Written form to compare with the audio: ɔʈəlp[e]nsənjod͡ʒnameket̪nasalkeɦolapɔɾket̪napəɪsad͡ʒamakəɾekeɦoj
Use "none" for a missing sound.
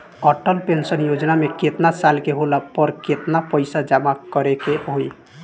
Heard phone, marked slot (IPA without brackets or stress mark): e